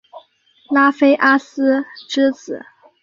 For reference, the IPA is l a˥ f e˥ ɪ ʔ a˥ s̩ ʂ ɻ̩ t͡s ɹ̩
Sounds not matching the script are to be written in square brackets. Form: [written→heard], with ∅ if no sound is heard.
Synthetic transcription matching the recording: l a˥ f e˥ ɪ ʔ a˥ s̩ [ʂ→ʈ͡ʂ] ɻ̩ t͡s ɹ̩